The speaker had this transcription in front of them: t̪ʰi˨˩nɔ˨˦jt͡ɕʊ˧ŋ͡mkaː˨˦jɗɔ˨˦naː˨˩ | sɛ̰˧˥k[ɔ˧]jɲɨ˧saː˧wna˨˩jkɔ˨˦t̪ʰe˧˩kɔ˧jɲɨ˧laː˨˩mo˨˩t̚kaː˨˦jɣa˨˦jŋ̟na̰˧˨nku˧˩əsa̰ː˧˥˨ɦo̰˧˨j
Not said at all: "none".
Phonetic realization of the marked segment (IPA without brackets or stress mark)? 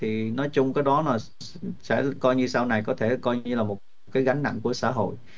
ɔ˧